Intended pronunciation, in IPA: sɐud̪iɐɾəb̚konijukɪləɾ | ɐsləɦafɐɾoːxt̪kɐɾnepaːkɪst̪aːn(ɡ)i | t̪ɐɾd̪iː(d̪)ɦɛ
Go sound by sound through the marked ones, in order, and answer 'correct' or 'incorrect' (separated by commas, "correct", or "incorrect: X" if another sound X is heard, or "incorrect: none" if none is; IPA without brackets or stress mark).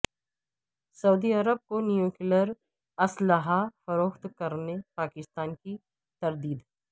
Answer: incorrect: k, correct